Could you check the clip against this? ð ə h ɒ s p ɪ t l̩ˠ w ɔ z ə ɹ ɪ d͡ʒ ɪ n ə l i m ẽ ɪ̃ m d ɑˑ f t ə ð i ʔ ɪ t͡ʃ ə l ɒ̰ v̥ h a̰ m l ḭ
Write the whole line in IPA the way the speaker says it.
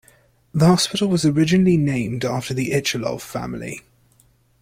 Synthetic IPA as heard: ð ə h ɒ s p ɪ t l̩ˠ w ɒ z ə ɹ ɪ d͡ʒ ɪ n ə l i n ẽ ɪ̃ m d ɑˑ f t ə ð i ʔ ɪ t͡ʃ ə l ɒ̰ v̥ f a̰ m l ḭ